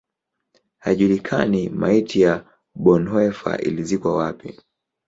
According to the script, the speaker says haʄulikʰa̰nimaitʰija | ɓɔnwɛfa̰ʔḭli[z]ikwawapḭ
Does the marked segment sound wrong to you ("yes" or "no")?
no